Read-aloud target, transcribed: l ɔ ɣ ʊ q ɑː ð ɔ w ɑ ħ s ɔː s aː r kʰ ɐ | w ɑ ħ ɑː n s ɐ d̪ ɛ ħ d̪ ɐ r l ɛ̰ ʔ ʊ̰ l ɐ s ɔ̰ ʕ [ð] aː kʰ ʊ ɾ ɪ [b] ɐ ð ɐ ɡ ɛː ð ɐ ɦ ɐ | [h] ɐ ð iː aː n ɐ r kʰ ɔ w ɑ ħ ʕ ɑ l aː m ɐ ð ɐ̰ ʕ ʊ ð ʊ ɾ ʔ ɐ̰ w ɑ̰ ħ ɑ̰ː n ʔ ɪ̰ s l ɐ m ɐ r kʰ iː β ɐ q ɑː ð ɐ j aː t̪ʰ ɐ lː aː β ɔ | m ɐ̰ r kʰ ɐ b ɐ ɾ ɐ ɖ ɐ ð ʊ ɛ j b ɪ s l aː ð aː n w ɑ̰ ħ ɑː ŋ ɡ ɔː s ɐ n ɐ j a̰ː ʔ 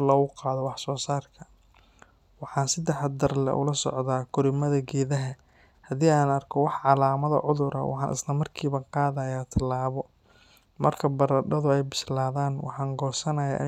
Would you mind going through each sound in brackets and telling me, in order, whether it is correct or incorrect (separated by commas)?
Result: correct, incorrect, correct